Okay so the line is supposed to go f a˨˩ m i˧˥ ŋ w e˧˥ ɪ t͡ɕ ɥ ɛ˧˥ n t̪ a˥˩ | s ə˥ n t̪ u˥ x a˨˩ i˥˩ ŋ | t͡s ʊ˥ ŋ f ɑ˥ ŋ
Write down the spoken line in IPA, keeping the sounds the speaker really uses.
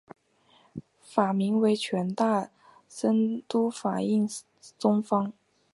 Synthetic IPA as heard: f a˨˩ m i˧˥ ŋ w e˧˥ ɪ t͡ɕʰ ɥ ɛ˧˥ n t̪ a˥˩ | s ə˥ n t̪ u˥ f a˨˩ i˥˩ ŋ | t͡s ʊ˥ ŋ f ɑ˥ ŋ